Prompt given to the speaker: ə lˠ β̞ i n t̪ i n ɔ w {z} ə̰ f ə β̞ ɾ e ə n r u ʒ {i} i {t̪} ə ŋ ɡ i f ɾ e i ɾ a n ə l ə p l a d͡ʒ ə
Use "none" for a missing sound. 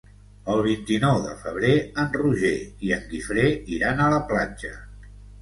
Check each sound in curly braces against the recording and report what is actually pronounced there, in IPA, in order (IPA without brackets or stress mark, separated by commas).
ð, e, none